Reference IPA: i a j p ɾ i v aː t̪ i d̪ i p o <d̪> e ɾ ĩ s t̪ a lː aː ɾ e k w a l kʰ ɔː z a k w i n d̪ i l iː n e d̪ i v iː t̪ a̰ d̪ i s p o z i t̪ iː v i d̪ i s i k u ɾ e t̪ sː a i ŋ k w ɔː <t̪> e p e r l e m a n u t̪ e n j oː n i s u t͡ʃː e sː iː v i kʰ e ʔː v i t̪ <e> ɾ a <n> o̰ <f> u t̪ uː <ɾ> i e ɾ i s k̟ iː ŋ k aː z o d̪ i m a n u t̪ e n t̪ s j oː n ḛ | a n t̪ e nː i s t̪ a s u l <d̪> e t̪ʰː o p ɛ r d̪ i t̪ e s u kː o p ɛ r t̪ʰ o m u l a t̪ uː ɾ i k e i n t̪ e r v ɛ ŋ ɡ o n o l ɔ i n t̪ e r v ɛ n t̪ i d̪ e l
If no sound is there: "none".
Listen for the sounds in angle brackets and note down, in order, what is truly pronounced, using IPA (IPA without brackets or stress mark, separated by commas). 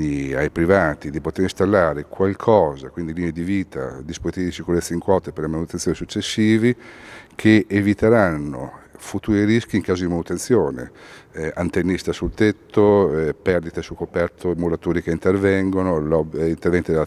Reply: t̪, t̪, e, nː, f, ɾ, t̪